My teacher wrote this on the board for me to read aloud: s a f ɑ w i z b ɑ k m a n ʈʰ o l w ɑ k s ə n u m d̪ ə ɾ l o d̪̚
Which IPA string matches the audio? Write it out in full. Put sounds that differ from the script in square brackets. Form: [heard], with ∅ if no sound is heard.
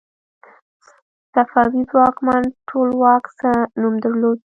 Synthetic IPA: s a f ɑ w i z [w] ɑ k m a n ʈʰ o l w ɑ k s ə n u m d̪ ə ɾ l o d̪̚

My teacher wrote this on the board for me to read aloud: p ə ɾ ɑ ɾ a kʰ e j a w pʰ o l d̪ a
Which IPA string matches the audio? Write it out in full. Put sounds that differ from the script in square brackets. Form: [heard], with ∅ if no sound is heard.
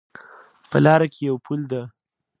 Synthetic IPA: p ə [l] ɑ ɾ a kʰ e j a w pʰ [u] l d̪ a

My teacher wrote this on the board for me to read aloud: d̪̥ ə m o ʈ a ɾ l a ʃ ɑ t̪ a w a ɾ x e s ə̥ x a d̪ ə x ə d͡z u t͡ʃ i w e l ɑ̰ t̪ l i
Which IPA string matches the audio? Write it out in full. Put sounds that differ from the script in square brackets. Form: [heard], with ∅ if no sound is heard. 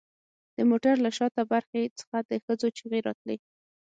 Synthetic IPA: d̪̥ ə m o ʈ a ɾ l a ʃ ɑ t̪ a [b] a ɾ x e [t͡s] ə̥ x a d̪ ə x ə d͡z [o] t͡ʃ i [ɣ] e [ɾ] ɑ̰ t̪ l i

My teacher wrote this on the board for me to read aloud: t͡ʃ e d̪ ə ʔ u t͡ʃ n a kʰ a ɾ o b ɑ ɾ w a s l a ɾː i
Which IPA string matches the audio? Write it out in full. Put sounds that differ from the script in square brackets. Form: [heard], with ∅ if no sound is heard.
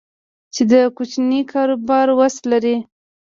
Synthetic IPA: t͡ʃ e d̪ ə [k] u t͡ʃ n [i] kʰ [ɑ] ɾ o b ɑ ɾ w a s l a [ɾ] i

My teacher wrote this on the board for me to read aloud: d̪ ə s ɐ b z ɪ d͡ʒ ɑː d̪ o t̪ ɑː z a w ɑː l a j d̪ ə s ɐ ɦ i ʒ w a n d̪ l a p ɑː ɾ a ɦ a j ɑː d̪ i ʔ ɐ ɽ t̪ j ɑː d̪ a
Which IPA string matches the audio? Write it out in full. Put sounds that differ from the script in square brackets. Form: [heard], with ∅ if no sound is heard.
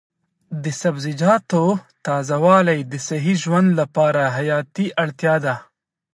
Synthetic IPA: d̪ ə s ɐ b z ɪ d͡ʒ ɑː [t̪] o t̪ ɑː z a w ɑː l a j d̪ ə s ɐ ɦ i ʒ w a n d̪ l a p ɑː ɾ a ɦ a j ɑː [t̪] i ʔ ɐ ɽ t̪ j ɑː d̪ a

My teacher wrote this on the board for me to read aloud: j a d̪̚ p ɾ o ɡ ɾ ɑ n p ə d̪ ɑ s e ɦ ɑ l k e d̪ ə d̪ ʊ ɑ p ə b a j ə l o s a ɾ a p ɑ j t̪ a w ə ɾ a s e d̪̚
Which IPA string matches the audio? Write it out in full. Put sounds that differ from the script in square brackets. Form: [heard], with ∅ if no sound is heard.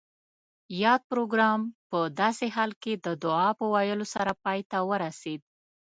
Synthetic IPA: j [ɑ] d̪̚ p ɾ o ɡ ɾ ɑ [m] p ə d̪ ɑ s e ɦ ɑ l k e d̪ ə d̪ ʊ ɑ p ə [w] a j ə l o s a ɾ a p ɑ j t̪ a w ə ɾ a s e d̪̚

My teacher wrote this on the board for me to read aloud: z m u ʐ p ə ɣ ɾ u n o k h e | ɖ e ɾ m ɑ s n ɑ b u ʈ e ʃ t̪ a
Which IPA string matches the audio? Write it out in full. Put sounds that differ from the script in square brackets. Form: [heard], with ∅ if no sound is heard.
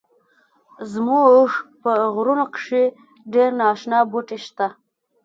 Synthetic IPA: z m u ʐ p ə ɣ ɾ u n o k [ʂ] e | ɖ e ɾ [n] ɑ [ʃ] n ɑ b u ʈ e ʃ t̪ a

